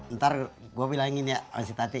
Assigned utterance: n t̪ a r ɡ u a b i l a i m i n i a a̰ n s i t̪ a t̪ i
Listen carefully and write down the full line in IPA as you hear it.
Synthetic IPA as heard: n t̪ a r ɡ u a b i l a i ŋ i n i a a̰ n s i t̪ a t̪ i